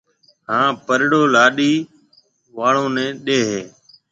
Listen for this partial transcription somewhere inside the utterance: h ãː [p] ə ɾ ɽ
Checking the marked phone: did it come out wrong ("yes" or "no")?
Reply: no